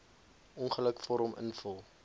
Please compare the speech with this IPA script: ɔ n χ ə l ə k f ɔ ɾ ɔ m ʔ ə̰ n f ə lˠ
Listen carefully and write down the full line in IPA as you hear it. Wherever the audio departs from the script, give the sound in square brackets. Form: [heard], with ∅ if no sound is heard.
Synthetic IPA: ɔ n χ ə l ə k f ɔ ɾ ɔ m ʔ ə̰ n f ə lˠ